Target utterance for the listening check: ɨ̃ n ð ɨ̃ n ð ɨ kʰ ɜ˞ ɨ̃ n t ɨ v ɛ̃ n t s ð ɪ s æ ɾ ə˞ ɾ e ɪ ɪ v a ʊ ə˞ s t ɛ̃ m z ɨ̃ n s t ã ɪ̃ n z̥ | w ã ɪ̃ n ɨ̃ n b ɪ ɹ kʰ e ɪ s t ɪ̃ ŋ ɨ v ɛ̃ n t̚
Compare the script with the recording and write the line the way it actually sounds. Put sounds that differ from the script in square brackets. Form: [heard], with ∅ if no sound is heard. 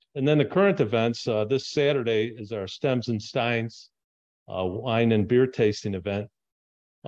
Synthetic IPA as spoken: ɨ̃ n ð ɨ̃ n ð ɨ kʰ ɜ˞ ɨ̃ n t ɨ v ɛ̃ n t s ð ɪ s æ ɾ ə˞ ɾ e ɪ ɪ [z] a ʊ ə˞ s t ɛ̃ m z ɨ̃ n s t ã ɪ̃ n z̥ | w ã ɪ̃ n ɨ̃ n b ɪ ɹ [tʰ] e ɪ s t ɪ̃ ŋ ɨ v ɛ̃ n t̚

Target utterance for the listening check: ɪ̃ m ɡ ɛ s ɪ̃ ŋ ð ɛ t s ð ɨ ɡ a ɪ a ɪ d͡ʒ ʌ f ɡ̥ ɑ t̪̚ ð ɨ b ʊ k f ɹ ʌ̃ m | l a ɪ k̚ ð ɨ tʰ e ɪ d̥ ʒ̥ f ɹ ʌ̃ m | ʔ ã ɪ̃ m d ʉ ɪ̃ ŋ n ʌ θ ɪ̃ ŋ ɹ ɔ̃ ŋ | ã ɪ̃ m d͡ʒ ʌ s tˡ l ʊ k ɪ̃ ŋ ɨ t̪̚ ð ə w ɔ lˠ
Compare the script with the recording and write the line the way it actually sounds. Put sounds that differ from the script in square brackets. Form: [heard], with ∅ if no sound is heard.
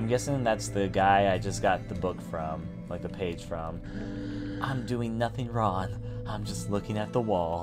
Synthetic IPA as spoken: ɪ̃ m ɡ ɛ s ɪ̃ ŋ ð [æ] t s ð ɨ ɡ a ɪ a ɪ d͡ʒ ʌ [s] ɡ̥ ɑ t̪̚ ð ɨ b ʊ k f ɹ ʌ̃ m | l a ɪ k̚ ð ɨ [pʰ] e ɪ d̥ ʒ̥ f ɹ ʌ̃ m | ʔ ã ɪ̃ m d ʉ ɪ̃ ŋ n ʌ θ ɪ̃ ŋ ɹ ɔ̃ ŋ | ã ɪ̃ m d͡ʒ ʌ s tˡ l ʊ k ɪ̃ ŋ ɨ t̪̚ ð ə w ɔ lˠ

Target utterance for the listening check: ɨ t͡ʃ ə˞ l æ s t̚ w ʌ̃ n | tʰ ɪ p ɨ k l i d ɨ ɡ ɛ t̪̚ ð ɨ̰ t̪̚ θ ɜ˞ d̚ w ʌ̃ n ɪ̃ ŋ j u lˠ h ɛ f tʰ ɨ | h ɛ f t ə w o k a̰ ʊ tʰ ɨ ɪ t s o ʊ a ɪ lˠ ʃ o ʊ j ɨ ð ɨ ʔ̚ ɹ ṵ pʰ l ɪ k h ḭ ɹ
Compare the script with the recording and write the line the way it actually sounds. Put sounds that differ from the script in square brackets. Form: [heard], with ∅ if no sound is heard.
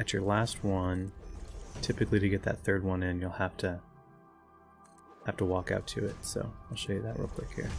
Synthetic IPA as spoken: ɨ t͡ʃ ə˞ l æ s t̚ w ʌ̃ n | tʰ ɪ p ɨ k l i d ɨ ɡ ɛ t̪̚ ð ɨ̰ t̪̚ θ ɜ˞ d̚ w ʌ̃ n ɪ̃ [n] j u lˠ h [æ] f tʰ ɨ | h [æ] f t ə w [ɔ] k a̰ ʊ tʰ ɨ ɪ t s o ʊ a ɪ lˠ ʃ o ʊ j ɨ ð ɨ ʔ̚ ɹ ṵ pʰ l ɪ k h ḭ ɹ

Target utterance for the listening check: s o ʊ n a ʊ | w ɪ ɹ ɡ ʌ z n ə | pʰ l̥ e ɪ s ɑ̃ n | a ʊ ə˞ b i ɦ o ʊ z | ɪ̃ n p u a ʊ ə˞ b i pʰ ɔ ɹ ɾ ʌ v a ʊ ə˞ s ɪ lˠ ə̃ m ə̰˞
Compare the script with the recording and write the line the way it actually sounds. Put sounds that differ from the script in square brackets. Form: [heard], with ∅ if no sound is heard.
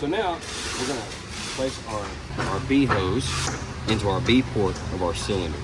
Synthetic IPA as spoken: s o ʊ n a ʊ | w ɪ ɹ ɡ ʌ [∅] n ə | pʰ l̥ e ɪ s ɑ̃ n | a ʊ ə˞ b i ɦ o ʊ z | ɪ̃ n [t] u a ʊ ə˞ b i pʰ ɔ ɹ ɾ ʌ v a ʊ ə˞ s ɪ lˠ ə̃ [n] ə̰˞

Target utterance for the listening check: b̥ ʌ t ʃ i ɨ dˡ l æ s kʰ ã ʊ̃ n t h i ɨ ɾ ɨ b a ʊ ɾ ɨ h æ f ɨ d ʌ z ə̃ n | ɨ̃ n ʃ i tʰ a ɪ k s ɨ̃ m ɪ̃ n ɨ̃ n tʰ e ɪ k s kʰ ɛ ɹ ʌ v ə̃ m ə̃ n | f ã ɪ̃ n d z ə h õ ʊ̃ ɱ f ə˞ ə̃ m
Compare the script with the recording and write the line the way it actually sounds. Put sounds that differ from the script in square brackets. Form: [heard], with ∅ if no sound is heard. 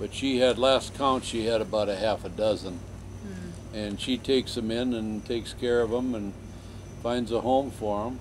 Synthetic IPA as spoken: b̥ ʌ t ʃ i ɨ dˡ l æ s kʰ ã ʊ̃ n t [ʃ] i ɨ ɾ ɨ b a ʊ ɾ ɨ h æ f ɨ d ʌ z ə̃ n | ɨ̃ n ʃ i tʰ [e] ɪ k s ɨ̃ m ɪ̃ n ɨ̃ n tʰ e ɪ k s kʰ ɛ ɹ ʌ v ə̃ m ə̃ n | f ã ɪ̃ n d z ə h õ ʊ̃ ɱ f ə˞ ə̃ m

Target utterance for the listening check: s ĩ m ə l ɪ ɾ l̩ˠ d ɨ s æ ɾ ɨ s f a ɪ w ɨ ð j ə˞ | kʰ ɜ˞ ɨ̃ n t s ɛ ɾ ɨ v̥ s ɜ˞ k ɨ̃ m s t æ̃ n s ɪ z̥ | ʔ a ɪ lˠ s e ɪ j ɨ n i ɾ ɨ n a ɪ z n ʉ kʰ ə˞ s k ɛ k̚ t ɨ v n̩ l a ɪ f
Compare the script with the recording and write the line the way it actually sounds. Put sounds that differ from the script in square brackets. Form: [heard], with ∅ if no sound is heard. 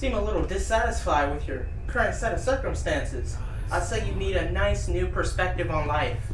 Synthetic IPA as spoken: s ĩ m ə l ɪ ɾ l̩ˠ d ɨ s æ ɾ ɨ s f a ɪ w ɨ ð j ə˞ | kʰ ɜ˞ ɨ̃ n t s ɛ ɾ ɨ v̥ s ɜ˞ k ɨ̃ m s t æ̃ n s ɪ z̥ | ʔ a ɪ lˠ s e ɪ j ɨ n i ɾ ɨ n a ɪ [s] n ʉ [pʰ] ə˞ s [p] ɛ k̚ t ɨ v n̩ l a ɪ f

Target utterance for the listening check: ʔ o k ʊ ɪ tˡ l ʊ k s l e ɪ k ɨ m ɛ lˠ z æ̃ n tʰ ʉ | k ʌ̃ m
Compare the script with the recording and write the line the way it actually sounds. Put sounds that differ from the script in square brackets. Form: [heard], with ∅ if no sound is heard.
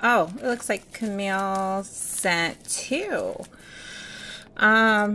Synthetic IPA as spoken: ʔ o [∅] ʊ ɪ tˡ l ʊ k s l [a] ɪ [kʰ] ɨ m [i] lˠ [s] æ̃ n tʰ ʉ | [ʔ] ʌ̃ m

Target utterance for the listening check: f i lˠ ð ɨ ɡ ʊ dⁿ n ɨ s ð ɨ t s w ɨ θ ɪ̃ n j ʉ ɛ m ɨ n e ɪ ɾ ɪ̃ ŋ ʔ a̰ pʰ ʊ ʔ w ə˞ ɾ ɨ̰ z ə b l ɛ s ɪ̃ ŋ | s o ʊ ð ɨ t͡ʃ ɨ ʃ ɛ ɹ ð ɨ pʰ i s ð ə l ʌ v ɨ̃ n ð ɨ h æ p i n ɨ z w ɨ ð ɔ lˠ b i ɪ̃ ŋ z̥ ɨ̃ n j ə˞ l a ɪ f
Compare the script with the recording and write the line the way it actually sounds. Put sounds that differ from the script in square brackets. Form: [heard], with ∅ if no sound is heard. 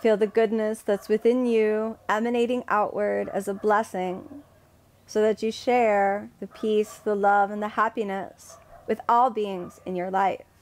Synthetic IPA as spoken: f i lˠ ð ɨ ɡ ʊ dⁿ n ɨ s ð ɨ t s w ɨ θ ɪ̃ n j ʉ ɛ m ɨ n e ɪ ɾ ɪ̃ ŋ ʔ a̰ [∅] ʊ ʔ w ə˞ ɾ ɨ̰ z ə b l ɛ s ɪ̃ ŋ | s o ʊ ð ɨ t͡ʃ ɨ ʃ ɛ ɹ ð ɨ pʰ i s ð ə l ʌ v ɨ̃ n ð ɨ h æ p i n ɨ [s] w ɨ ð ɔ lˠ b i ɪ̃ ŋ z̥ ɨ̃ n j ə˞ l a ɪ f

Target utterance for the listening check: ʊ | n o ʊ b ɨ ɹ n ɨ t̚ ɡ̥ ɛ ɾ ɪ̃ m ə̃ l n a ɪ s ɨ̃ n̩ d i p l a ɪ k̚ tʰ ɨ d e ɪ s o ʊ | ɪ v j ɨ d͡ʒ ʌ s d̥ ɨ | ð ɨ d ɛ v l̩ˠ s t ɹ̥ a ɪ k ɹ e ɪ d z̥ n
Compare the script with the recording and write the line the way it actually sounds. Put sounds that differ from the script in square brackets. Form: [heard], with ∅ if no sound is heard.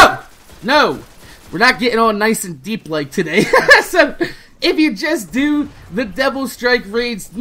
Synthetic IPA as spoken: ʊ | n o ʊ [w] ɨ ɹ n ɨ t̚ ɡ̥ ɛ ɾ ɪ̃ [ŋ] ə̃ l n a ɪ s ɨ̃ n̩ d i p l a ɪ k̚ tʰ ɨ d e ɪ s o ʊ | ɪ [f] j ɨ d͡ʒ ʌ s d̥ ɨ | ð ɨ d ɛ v l̩ˠ s t ɹ̥ a ɪ k ɹ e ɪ d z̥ n

